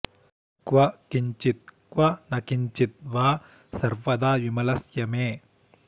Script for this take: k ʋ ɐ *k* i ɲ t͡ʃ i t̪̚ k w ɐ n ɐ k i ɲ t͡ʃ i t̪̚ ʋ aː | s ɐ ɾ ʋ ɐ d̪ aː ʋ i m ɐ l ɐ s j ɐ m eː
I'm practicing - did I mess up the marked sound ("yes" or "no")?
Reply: no